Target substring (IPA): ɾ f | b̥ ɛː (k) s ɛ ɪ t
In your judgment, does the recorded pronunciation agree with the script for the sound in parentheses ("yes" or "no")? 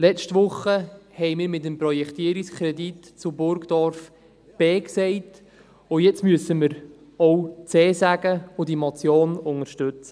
yes